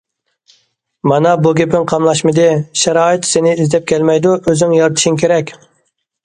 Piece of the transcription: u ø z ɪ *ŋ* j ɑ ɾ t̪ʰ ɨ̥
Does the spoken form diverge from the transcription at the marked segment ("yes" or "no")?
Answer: no